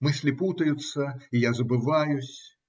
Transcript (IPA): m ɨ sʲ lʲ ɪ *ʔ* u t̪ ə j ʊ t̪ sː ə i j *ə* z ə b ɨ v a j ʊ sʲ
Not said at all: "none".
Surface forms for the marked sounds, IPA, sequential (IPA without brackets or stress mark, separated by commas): p, a